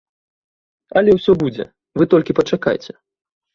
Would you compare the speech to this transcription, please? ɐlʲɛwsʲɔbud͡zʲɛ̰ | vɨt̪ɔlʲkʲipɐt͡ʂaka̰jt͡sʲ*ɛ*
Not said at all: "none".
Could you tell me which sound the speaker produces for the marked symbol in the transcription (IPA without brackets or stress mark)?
ɛ